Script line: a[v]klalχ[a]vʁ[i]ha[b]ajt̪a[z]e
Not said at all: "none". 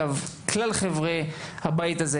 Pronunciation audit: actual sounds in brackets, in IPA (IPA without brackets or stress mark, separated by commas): v, e, e, b, z